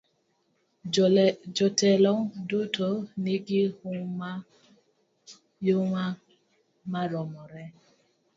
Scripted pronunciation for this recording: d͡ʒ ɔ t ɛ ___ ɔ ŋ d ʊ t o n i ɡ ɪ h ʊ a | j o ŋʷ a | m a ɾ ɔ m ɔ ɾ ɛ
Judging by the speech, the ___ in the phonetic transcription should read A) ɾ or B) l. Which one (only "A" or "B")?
B